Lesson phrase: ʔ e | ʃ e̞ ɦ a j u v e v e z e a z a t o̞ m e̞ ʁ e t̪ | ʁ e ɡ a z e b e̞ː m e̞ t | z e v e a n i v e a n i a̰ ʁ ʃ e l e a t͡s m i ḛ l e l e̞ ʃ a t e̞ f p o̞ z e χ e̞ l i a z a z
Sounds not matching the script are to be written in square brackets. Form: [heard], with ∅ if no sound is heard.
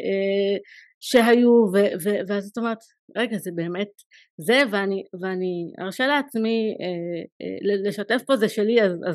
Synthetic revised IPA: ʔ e | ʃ e̞ ɦ a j u v e v e [v] e a z a t o̞ m e̞ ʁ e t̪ | ʁ e ɡ a z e b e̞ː m e̞ t | z e v e a n i v e a n i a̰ ʁ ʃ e l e a t͡s m i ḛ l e l e̞ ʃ a t e̞ f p o̞ z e [ʃ] e̞ l i a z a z